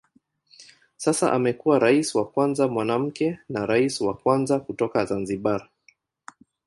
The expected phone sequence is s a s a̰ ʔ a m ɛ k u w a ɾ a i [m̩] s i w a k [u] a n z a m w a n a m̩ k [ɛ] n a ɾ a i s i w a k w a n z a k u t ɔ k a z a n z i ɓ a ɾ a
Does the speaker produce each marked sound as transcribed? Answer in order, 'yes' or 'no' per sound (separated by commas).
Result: no, no, yes